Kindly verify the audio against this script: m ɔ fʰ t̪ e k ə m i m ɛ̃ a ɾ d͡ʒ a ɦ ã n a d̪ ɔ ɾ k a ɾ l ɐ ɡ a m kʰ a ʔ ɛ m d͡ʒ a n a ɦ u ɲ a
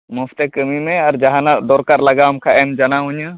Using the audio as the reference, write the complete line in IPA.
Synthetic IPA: m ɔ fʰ t̪ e k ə m i m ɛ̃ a ɾ d͡ʒ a ɦ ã n a d̪ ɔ ɾ k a ɾ l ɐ ɡ a m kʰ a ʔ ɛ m d͡ʒ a n a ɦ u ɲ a